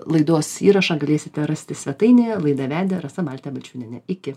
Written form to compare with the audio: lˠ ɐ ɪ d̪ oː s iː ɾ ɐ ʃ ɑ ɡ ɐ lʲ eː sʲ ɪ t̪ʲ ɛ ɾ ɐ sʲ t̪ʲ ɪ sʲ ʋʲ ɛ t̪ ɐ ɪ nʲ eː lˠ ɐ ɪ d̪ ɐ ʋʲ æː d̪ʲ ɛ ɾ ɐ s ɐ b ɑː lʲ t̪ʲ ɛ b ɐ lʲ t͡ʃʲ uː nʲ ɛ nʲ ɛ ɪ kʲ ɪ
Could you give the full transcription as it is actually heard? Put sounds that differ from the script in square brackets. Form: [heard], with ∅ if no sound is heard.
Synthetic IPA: lˠ ɐ ɪ d̪ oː s iː ɾ ɐ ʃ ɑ ɡ ɐ lʲ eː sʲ ɪ t̪ʲ ɛ ɾ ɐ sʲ t̪ʲ ɪ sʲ ʋʲ ɛ t̪ ɐ ɪ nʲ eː lˠ ɐ ɪ d̪ ɐ ʋʲ æː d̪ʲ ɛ ɾ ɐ s ɐ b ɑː lʲ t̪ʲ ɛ b ɐ lʲ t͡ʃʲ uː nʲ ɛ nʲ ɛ ɪ kʲ ɪ